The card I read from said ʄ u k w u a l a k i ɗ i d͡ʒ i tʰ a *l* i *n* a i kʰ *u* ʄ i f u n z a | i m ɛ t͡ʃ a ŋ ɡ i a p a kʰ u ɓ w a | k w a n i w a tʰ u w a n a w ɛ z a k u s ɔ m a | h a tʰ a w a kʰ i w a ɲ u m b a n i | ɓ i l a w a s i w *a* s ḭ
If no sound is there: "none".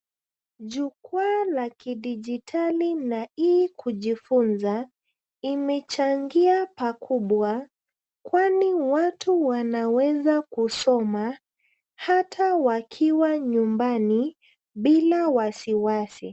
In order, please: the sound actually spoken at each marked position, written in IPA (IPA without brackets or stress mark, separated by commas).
l, n, u, a